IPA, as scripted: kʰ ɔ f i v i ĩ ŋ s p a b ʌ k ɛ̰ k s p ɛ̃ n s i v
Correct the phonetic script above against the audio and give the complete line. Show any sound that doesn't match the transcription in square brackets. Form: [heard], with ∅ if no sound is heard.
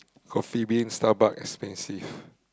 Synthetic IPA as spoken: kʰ ɔ f i [b] i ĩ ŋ s [t] a b [a] k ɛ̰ k s p ɛ̃ n s i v